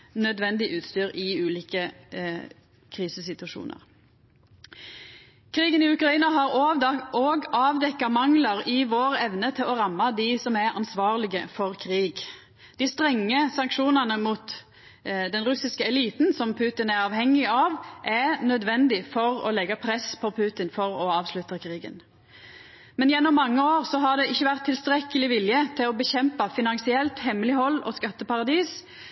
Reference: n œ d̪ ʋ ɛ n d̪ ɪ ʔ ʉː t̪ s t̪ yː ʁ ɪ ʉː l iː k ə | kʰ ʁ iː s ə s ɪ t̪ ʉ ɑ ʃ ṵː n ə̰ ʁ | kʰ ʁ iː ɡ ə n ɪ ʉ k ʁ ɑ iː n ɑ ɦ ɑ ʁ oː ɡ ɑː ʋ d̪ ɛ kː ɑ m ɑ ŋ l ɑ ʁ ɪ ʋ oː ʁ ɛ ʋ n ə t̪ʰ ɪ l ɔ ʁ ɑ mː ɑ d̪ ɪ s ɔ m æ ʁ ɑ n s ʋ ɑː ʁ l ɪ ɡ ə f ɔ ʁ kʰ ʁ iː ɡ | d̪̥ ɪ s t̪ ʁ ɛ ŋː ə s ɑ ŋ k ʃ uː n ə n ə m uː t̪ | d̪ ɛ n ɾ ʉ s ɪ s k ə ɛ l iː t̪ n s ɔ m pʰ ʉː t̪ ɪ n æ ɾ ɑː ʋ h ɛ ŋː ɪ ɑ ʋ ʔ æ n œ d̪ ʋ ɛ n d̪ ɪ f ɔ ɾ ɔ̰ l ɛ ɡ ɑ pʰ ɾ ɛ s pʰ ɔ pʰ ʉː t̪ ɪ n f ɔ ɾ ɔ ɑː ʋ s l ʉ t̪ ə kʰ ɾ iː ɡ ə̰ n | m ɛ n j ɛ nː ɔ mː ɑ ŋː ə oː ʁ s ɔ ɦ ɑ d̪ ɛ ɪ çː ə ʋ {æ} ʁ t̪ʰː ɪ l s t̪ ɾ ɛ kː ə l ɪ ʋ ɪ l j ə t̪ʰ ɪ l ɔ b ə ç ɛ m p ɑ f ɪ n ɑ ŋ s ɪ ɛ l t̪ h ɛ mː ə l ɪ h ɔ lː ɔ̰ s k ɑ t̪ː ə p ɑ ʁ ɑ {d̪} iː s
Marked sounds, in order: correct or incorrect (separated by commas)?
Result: correct, correct